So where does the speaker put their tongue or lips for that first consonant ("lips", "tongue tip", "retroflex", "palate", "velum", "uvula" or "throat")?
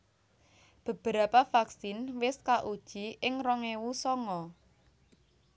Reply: lips